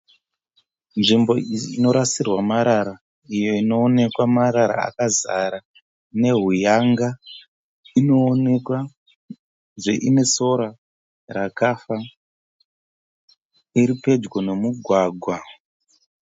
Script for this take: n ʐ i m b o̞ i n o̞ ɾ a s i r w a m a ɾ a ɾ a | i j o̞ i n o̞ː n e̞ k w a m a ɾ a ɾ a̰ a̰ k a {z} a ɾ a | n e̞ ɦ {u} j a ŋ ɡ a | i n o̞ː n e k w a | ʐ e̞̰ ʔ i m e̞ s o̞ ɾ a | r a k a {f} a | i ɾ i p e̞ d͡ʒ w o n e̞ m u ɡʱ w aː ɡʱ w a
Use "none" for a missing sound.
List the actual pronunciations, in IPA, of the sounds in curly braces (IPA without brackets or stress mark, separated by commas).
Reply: z, u, f